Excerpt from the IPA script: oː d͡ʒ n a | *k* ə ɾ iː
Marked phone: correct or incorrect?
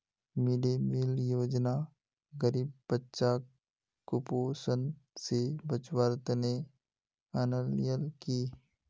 incorrect